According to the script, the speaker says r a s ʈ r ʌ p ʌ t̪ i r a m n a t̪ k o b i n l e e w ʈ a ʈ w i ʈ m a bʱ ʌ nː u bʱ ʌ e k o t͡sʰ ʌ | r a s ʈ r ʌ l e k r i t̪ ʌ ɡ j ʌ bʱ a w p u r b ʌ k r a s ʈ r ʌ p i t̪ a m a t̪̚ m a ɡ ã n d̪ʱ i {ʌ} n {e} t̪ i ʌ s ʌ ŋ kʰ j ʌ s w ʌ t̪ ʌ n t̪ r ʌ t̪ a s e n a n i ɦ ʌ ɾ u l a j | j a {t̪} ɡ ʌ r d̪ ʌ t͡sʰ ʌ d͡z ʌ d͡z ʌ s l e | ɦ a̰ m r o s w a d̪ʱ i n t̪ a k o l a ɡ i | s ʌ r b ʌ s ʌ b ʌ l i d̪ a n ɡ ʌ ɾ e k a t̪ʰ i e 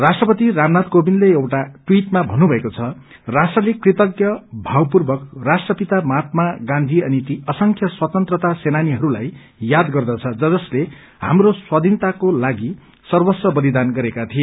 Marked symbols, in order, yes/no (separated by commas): yes, no, no